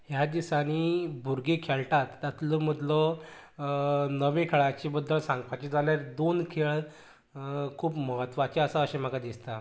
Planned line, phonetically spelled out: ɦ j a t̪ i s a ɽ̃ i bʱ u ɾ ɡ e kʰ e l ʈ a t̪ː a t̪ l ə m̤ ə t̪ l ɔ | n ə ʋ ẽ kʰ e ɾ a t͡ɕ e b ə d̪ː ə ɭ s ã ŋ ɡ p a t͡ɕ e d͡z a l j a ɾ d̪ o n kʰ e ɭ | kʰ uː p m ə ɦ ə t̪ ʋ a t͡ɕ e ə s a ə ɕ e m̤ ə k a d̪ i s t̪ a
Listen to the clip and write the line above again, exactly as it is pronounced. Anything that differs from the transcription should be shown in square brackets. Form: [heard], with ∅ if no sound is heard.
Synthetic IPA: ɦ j a [d̪] i s a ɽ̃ i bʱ u ɾ ɡ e kʰ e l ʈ a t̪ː a t̪ l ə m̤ ə [d̪] l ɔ | n ə ʋ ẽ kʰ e [ɭ] a t͡ɕ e b ə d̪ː ə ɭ s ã ŋ ɡ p a t͡ɕ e d͡z a l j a ɾ d̪ o n kʰ e ɭ | kʰ uː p m ə ɦ ə t̪ ʋ a t͡ɕ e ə s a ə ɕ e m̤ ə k a d̪ i s t̪ a